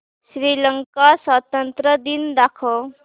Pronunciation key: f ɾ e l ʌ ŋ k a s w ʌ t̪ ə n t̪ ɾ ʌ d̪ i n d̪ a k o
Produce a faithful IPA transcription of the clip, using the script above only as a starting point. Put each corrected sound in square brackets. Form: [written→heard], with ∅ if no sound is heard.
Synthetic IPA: [f→s] ɾ [e→i] l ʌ ŋ k a s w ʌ t̪ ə n t̪ ɾ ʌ d̪ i n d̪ a [k→kʰ] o